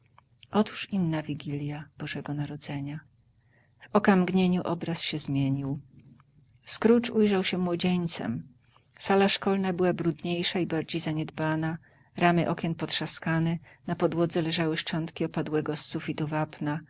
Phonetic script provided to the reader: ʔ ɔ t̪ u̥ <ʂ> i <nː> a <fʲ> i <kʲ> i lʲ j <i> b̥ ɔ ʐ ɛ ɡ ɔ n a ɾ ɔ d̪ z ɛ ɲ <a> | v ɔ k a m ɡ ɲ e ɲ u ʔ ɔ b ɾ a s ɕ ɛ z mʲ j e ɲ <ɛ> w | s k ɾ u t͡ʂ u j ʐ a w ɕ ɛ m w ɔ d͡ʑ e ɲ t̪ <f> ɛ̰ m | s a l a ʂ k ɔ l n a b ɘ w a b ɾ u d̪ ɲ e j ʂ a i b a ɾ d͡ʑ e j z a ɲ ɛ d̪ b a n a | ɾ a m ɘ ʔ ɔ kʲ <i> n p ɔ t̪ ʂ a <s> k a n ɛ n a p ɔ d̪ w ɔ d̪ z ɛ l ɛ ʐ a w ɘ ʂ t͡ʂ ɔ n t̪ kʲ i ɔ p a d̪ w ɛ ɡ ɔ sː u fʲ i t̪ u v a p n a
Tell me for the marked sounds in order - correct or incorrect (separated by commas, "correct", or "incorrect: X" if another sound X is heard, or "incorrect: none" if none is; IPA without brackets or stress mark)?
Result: correct, correct, incorrect: vʲ, incorrect: ɡʲ, incorrect: a, correct, incorrect: i, incorrect: s, incorrect: ɛ, correct